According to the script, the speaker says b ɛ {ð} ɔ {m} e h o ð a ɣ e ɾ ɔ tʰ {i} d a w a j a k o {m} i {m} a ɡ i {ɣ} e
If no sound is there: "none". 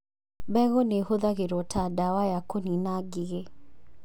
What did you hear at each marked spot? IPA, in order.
ɣ, n, a, n, n, ɣ

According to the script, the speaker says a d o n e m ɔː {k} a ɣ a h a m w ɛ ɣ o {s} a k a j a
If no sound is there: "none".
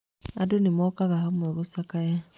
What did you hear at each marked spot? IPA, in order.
k, s

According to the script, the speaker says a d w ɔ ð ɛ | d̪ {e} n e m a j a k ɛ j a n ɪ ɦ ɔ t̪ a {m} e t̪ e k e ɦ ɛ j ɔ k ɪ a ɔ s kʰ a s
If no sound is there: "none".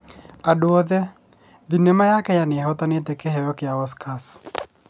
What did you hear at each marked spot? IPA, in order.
i, n

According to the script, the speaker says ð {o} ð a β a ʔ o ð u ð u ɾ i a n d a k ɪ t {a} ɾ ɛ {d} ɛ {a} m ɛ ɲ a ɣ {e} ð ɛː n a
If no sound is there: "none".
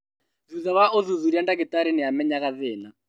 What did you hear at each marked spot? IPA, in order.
u, a, n, a, a

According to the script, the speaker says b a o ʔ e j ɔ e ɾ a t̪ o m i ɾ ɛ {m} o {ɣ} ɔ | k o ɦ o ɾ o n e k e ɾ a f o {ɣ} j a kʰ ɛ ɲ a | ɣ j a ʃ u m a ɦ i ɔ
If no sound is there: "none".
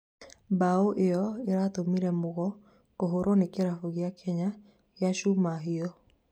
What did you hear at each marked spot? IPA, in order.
m, ɣ, ɣ

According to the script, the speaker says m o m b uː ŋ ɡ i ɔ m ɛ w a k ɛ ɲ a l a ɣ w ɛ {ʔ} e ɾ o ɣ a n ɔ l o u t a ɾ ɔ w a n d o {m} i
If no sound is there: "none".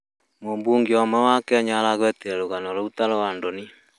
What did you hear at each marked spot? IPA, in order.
t, n

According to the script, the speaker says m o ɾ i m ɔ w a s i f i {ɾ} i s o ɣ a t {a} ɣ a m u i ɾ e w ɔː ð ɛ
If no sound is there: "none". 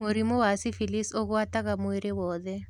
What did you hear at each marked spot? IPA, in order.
l, a

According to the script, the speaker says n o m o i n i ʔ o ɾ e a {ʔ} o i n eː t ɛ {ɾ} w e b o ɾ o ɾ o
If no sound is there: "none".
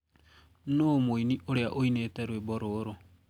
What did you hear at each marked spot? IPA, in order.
ʔ, ɾ

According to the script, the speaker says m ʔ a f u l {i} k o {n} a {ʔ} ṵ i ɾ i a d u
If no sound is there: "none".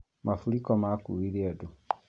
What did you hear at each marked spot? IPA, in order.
i, m, k

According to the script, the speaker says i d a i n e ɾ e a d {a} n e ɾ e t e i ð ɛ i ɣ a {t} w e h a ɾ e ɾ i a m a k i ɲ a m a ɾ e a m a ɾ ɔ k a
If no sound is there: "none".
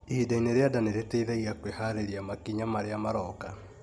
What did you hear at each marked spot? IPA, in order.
a, k

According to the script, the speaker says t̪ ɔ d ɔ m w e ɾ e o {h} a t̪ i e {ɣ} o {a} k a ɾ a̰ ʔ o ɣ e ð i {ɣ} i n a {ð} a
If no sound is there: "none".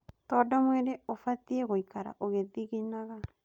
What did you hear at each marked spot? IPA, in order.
f, ɣ, i, ɣ, ɣ

